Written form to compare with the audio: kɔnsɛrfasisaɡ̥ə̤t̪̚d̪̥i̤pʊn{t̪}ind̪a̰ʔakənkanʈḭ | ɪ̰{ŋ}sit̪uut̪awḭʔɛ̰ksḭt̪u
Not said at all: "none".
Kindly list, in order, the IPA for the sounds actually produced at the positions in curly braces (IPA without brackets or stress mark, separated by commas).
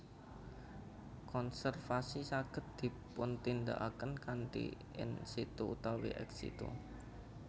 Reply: t̪, n